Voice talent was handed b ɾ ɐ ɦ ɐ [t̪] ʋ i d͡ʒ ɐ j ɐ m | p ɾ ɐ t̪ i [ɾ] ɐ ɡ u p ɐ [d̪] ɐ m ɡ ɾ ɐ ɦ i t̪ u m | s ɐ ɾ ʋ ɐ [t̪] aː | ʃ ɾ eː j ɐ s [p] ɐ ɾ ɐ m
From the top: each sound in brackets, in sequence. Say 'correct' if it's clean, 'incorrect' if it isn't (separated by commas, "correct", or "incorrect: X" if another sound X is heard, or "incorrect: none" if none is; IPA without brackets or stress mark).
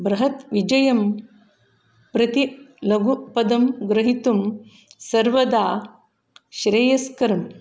correct, incorrect: l, correct, incorrect: d̪, incorrect: k